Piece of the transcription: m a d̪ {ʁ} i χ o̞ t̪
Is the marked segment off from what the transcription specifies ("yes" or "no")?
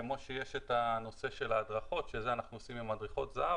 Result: no